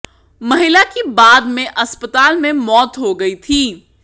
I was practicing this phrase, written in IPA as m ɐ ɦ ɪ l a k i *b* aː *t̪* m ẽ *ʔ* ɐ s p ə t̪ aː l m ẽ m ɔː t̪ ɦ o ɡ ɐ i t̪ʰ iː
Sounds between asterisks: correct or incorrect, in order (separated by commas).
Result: correct, incorrect, correct